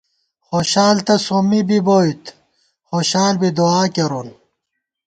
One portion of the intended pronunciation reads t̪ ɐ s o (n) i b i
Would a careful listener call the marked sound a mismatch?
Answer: yes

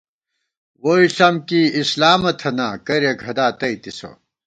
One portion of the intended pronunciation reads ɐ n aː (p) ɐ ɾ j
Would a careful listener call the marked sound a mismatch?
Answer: yes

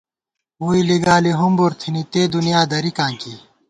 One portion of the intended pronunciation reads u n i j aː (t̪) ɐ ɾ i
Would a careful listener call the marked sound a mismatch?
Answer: yes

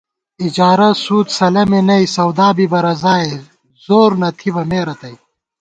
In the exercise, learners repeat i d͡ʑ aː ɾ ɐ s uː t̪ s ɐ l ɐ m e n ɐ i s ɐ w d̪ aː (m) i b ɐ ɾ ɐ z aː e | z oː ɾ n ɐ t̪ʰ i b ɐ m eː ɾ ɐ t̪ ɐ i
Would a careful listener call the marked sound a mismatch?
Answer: yes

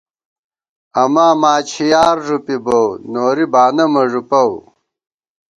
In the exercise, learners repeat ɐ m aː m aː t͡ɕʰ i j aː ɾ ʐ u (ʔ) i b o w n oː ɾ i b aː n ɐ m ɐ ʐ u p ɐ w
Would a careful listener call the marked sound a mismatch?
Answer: yes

